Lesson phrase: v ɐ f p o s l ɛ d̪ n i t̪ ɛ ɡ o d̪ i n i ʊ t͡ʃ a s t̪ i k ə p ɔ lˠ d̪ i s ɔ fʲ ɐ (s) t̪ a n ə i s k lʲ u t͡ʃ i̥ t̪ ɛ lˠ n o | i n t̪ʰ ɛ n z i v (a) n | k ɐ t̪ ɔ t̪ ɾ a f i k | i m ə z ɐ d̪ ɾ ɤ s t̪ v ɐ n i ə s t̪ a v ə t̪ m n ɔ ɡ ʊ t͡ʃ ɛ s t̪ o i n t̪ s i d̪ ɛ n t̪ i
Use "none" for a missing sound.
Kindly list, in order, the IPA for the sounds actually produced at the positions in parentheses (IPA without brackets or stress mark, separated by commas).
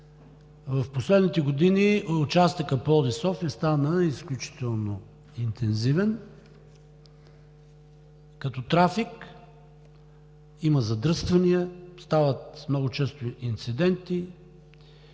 s, ɛ